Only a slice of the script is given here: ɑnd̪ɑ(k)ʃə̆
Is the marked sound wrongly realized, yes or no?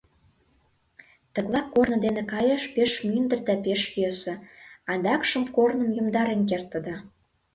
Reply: no